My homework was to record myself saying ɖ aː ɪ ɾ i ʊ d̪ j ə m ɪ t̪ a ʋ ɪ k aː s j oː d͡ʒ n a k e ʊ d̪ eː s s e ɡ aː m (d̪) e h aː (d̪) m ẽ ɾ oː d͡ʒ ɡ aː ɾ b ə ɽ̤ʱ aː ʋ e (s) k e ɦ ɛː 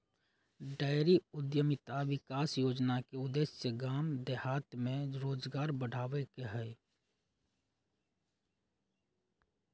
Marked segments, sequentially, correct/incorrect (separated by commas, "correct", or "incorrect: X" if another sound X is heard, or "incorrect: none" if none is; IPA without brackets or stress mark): correct, incorrect: t̪, incorrect: none